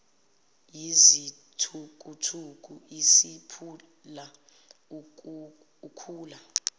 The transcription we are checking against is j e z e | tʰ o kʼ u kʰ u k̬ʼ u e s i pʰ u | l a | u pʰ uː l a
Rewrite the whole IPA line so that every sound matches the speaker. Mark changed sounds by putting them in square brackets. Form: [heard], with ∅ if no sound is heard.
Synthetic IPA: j [i] z [i] | tʰ [u] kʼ u [tʰ] u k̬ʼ u [i] s i pʰ u | l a | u [kʰ] uː l a